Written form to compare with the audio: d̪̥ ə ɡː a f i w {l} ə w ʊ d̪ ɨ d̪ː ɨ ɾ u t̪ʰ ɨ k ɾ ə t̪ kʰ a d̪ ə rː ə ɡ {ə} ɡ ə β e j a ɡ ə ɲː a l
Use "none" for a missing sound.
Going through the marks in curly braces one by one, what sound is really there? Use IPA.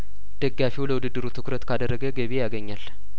l, ə

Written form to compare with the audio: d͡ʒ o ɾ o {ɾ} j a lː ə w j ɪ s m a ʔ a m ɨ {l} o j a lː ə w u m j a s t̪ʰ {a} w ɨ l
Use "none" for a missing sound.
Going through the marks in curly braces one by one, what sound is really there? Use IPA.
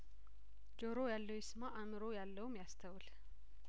none, ɾ, ə

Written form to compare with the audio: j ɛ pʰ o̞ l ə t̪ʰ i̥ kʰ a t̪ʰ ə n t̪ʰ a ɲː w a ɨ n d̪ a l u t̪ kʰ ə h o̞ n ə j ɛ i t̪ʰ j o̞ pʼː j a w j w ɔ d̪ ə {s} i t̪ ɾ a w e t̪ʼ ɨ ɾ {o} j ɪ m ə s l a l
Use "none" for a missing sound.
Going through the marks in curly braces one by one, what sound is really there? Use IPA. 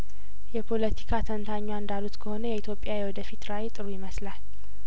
f, u

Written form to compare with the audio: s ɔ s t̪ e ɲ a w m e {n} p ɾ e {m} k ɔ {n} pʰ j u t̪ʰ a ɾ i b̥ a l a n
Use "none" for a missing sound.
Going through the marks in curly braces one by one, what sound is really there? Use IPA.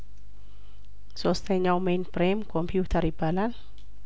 n, m, m

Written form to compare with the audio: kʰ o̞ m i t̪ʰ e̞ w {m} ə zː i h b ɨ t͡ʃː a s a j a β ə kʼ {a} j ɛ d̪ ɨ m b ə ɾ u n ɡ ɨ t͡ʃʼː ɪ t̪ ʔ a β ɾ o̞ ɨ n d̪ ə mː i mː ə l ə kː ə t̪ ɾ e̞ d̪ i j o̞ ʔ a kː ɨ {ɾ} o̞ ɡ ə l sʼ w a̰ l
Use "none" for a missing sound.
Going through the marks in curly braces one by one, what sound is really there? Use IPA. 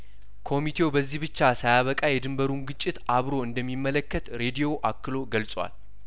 b, a, l

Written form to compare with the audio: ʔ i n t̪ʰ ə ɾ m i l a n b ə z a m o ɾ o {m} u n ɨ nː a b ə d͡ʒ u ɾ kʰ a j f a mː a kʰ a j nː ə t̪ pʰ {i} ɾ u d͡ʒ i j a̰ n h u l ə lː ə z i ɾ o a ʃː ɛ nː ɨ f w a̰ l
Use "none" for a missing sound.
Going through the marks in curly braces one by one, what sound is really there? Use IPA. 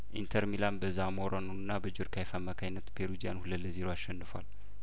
n, e

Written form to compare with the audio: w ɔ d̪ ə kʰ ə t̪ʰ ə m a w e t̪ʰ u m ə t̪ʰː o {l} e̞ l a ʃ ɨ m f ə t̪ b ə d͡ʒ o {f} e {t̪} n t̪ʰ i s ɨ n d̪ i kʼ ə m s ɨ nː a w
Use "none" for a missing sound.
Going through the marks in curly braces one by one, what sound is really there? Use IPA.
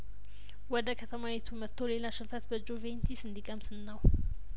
l, v, none

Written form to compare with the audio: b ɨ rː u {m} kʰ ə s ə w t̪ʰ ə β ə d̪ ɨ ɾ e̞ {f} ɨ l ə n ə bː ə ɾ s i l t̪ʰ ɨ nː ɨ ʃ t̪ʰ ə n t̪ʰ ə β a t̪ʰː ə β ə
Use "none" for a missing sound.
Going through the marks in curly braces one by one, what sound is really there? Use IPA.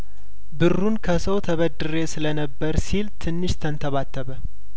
n, s

